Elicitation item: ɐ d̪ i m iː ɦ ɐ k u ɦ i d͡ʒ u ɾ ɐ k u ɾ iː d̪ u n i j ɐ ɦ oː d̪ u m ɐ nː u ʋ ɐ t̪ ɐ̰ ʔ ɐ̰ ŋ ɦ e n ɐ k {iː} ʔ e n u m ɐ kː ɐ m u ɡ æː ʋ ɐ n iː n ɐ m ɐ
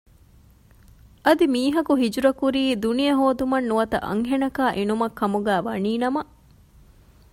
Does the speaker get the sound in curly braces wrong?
yes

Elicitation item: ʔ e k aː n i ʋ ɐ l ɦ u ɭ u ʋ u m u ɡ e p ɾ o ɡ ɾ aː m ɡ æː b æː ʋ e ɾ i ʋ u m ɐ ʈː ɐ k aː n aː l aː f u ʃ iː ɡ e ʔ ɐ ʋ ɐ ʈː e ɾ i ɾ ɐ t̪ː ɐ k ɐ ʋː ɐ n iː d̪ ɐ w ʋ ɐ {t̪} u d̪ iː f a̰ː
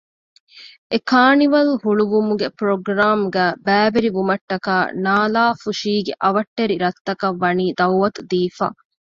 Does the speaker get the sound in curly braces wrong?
no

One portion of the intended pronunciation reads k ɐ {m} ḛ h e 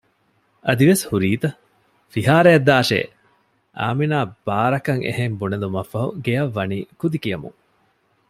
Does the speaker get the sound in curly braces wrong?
yes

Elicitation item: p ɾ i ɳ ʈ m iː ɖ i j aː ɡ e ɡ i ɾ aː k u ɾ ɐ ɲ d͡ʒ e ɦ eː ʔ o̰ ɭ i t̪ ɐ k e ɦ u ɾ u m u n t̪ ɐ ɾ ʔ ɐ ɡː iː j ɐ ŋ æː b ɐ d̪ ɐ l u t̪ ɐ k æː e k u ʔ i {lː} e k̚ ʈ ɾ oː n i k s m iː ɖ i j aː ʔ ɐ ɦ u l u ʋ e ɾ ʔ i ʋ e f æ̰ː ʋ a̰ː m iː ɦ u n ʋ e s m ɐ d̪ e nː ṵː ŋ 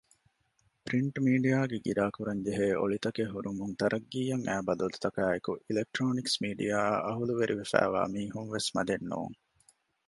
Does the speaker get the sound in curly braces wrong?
yes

